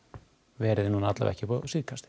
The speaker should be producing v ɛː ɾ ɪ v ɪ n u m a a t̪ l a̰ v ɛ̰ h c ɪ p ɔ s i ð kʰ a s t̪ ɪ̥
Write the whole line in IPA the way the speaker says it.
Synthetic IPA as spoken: v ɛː ɾ ɪ ð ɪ n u n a a t̪ l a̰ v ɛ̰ h c ɪ p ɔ s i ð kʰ a s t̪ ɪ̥